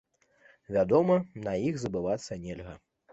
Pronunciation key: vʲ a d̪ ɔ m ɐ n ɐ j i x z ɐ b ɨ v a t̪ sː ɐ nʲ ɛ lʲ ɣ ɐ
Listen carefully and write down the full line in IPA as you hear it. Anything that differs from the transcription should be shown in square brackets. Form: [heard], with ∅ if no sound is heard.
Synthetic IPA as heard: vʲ a d̪ ɔ m ɐ n ɐ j i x z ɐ b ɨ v a t̪ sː ɐ nʲ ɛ lʲ ɣ ɐ